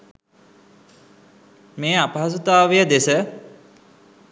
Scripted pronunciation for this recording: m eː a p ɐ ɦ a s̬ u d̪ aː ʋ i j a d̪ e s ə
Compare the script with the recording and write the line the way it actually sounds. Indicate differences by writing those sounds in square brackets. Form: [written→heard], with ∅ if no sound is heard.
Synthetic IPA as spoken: m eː a p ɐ ɦ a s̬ u [d̪→t̪] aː ʋ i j [a→ə] d̪ e s ə